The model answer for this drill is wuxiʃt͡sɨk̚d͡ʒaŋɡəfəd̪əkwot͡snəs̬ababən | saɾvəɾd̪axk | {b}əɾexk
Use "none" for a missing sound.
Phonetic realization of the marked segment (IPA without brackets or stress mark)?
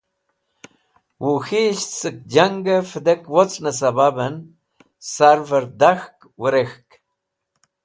w